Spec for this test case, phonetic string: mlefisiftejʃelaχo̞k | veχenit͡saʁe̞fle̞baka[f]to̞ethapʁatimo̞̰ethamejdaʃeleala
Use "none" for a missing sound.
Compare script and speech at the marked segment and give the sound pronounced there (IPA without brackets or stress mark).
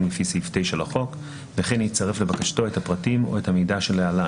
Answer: ʃ